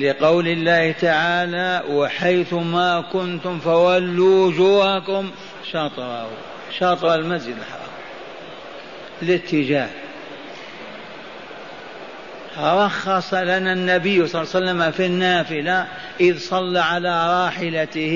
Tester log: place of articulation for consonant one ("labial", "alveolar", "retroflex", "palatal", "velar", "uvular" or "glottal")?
alveolar